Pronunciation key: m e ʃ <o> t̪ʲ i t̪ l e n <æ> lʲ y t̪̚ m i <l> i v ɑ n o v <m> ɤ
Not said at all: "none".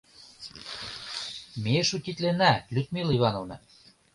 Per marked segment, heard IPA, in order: u, æ, l, n

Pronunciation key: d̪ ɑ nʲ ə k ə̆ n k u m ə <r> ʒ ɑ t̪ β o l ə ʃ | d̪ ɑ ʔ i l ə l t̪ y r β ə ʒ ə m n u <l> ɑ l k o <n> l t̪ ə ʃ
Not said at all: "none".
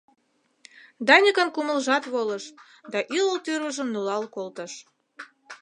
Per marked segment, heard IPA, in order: l, l, none

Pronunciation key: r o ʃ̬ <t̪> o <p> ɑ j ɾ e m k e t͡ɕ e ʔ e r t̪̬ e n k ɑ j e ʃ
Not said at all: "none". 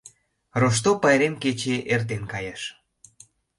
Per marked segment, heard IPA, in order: t̪, p

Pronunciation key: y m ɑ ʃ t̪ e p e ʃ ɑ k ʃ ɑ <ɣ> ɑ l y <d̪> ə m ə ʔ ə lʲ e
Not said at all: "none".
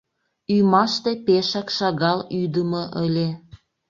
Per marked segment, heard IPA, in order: ɣ, d̪

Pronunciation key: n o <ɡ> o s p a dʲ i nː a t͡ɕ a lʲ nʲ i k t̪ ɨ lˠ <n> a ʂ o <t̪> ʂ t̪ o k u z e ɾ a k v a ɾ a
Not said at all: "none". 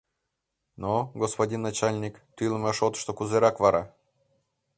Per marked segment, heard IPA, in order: ɡ, m, t̪

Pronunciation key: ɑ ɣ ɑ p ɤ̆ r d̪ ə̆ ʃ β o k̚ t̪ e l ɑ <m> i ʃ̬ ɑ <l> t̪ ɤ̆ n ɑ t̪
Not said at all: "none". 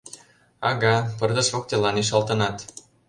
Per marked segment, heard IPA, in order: n, l

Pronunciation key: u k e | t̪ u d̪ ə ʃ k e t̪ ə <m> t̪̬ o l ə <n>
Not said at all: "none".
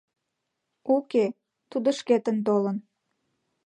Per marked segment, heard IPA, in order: n, n

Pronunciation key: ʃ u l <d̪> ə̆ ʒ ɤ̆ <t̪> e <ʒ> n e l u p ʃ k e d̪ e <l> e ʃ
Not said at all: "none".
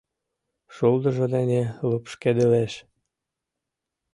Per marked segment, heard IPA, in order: d̪, d̪, none, l

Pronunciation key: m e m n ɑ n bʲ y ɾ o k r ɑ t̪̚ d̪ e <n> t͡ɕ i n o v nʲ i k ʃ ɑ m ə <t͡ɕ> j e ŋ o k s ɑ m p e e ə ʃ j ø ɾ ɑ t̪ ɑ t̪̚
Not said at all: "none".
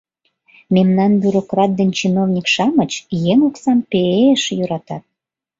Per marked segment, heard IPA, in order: n, t͡ɕ

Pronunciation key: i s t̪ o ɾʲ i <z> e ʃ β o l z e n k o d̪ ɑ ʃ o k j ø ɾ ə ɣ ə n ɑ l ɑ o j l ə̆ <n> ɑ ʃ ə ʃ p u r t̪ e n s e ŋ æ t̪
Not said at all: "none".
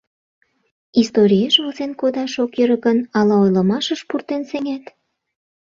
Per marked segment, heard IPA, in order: none, m

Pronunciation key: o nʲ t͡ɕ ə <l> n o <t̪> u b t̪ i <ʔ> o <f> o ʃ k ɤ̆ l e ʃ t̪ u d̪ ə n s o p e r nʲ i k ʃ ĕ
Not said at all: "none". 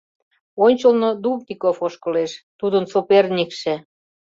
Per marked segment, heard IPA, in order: l, d̪, k, f

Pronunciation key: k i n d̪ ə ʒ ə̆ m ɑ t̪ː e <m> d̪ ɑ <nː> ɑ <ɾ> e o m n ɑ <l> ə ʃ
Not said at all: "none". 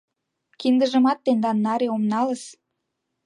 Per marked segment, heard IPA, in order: n, nː, ɾ, l

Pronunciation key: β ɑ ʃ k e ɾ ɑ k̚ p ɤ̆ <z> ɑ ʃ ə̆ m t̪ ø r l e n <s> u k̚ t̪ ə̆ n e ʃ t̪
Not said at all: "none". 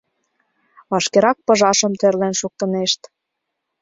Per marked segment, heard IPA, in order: ʒ, ʃ

